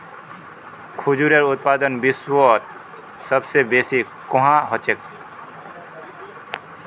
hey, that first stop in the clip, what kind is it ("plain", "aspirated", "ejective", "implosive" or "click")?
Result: aspirated